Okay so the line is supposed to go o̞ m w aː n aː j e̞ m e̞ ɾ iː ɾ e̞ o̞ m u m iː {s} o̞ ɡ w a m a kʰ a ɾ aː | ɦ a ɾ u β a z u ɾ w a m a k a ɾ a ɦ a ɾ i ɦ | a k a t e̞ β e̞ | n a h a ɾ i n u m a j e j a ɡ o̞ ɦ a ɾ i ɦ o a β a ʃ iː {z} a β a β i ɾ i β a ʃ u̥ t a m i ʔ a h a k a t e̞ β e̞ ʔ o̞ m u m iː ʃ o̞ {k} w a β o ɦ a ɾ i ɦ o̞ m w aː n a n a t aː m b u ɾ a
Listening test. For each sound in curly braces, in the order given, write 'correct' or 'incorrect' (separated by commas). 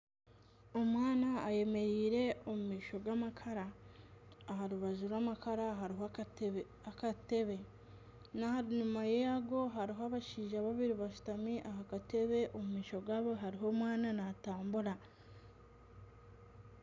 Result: incorrect, incorrect, incorrect